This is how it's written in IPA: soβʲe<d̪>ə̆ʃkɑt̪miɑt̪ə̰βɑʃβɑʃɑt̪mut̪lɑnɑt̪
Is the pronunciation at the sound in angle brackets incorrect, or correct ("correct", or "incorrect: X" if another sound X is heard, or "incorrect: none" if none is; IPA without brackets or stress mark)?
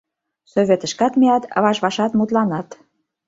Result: incorrect: t̪